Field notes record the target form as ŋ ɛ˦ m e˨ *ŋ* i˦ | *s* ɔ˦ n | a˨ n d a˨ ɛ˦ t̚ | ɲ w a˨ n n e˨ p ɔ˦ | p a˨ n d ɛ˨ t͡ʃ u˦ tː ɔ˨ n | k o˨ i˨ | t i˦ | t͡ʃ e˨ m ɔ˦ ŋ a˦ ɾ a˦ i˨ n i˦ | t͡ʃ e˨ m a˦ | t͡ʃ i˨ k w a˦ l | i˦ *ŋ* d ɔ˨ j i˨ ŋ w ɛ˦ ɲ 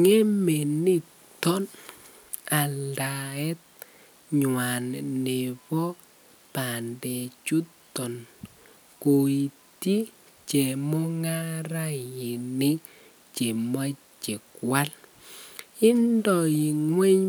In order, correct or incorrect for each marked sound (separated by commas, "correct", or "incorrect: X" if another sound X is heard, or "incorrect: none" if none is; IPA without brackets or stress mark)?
incorrect: n, incorrect: t, incorrect: n